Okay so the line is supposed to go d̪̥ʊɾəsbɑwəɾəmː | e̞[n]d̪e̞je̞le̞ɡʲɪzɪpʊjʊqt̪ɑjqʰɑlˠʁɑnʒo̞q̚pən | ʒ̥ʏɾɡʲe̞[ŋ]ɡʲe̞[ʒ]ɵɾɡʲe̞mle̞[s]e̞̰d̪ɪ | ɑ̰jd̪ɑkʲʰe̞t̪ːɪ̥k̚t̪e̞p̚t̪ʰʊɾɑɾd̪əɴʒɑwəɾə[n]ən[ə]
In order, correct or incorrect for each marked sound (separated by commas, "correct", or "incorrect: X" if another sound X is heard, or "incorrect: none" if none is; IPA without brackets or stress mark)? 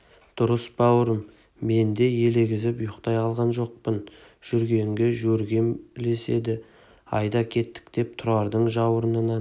correct, correct, correct, correct, correct, incorrect: ɑ